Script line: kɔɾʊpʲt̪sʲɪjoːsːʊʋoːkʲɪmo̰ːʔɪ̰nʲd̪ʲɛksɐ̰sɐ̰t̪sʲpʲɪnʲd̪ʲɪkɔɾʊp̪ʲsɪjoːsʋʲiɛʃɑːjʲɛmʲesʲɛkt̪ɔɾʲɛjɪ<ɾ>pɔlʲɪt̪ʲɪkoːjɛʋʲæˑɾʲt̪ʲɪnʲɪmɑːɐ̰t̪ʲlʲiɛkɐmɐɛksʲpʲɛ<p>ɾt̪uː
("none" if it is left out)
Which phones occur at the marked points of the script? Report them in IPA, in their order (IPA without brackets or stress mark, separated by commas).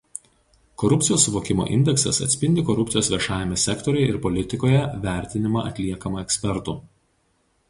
ɾ, none